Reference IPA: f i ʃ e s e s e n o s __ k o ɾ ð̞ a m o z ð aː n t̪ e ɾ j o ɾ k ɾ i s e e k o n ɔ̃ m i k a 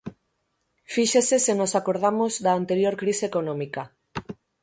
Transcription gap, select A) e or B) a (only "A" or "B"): B